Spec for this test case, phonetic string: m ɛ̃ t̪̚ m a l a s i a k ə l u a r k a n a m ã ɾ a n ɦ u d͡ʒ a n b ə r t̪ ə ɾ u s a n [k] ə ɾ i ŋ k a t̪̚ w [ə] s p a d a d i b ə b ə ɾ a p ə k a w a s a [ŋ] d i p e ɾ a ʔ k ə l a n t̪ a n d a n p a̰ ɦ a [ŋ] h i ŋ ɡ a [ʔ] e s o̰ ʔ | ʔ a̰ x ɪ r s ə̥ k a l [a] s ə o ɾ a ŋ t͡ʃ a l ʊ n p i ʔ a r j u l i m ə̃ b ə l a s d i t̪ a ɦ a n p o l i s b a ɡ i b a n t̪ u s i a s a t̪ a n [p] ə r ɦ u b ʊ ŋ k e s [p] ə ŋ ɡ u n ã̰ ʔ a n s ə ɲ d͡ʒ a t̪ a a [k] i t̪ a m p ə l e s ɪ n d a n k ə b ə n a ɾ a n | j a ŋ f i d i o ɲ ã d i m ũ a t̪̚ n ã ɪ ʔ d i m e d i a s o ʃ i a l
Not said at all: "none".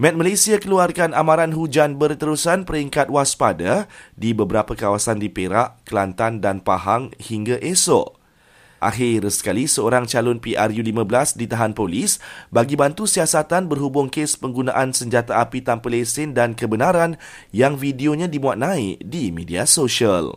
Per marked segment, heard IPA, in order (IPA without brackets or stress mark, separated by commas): p, a, n, ŋ, ʔ, i, b, p, p